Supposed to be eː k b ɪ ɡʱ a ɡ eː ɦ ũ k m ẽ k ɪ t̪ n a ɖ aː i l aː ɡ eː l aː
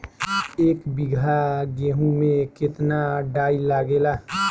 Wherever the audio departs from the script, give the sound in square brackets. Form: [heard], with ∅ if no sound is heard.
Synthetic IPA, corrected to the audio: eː k b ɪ ɡʱ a ɡ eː ɦ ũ [∅] m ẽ k ɪ t̪ n a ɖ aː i l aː ɡ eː l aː